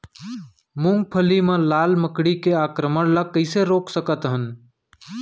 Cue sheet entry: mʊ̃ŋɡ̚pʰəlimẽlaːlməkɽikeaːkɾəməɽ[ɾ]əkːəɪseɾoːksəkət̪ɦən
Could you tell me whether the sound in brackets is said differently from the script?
yes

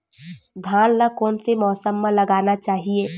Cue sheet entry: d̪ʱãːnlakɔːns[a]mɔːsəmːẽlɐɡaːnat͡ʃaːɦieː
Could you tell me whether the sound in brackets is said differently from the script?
yes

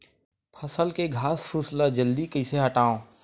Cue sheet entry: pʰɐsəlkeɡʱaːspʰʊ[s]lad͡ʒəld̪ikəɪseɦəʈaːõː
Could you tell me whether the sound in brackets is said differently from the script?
no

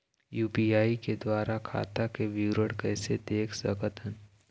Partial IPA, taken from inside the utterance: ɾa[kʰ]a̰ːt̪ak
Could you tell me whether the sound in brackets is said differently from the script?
no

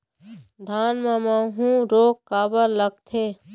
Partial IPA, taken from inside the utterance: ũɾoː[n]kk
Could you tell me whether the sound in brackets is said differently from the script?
yes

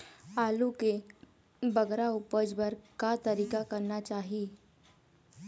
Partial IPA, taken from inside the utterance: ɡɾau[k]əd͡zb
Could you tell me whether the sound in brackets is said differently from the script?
yes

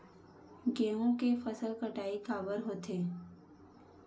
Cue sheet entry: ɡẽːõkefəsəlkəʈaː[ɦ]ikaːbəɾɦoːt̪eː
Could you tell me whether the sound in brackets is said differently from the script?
yes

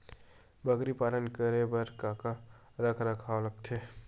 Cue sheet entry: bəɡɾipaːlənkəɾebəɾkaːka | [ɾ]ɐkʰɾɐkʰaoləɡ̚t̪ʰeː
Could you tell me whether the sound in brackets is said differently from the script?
no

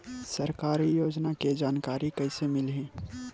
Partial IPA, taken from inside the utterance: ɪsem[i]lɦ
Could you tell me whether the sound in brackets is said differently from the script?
yes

